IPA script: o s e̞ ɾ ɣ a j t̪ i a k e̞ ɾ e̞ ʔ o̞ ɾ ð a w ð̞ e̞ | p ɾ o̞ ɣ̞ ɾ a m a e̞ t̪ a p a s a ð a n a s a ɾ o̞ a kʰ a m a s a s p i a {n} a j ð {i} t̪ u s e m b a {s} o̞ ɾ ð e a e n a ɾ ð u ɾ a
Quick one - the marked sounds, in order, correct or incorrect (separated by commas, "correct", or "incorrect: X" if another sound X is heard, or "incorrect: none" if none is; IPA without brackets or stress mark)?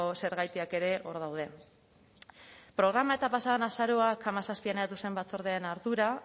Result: correct, incorrect: a, incorrect: t͡s